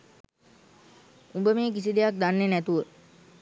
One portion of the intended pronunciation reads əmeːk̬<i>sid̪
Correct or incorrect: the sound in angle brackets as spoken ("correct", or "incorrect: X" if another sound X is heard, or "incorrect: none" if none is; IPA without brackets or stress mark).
correct